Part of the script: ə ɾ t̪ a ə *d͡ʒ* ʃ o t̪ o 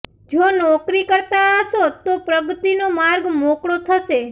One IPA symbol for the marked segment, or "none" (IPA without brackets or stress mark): none